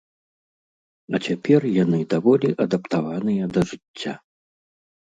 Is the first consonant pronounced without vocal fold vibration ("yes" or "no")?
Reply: yes